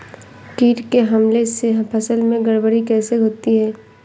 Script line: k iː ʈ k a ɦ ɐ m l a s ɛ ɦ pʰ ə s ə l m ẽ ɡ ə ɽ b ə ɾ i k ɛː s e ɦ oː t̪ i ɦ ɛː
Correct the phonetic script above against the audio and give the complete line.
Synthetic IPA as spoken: k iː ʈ k e ɦ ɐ m l e s e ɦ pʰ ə s ə l m ẽ ɡ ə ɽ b ə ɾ i k ɛː s e ɦ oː t̪ i ɦ ɛː